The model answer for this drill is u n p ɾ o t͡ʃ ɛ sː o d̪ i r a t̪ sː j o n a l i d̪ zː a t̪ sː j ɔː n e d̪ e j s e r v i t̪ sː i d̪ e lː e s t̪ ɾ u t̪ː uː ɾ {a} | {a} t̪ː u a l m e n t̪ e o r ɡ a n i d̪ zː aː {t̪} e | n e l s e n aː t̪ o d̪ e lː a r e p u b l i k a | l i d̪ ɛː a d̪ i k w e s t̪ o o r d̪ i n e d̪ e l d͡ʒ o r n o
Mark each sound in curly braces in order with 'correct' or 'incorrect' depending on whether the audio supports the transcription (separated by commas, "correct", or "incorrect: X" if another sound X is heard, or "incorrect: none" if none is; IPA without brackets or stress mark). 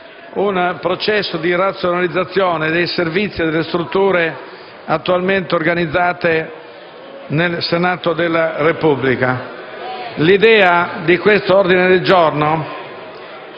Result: incorrect: e, correct, correct